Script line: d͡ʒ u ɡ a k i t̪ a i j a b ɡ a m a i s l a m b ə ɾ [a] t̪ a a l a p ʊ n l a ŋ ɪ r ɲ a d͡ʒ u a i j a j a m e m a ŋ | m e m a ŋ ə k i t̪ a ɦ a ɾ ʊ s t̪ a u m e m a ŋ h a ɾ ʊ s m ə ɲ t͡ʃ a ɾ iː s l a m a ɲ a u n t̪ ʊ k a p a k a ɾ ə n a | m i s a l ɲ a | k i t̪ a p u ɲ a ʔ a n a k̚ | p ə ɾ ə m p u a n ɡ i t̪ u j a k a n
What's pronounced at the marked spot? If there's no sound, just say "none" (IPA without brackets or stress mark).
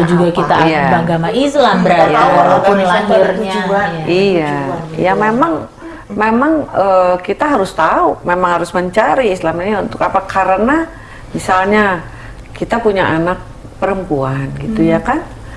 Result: a